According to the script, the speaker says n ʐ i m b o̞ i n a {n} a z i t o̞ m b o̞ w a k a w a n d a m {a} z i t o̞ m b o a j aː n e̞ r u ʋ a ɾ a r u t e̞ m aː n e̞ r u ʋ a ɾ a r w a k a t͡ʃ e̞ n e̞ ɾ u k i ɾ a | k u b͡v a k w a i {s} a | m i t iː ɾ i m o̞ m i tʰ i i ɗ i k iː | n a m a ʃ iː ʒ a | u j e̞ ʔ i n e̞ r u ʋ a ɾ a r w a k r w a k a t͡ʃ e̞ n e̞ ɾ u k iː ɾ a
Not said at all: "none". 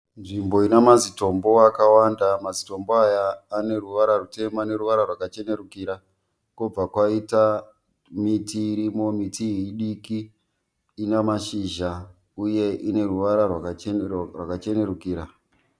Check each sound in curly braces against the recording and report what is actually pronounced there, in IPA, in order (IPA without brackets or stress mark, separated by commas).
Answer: m, a, t